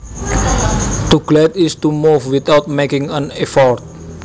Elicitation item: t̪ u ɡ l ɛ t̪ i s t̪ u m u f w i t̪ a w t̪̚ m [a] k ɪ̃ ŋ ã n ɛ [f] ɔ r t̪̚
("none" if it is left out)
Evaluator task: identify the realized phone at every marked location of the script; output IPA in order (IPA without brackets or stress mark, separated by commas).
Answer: e, f